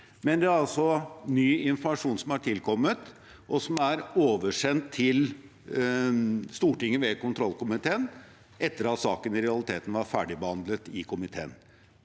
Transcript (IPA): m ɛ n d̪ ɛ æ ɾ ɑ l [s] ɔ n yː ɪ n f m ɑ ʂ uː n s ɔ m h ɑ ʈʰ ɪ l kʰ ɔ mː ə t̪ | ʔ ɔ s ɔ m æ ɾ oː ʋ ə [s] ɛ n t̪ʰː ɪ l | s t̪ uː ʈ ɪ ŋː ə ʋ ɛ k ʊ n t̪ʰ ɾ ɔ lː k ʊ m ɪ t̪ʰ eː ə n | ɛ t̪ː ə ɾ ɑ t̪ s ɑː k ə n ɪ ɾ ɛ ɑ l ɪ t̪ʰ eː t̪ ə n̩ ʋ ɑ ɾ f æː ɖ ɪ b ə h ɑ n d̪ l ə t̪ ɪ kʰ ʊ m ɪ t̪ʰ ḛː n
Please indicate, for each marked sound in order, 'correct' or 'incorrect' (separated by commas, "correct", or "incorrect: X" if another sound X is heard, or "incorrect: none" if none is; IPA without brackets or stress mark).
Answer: correct, incorrect: ʂ